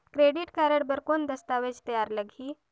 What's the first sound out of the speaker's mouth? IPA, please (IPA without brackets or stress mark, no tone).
k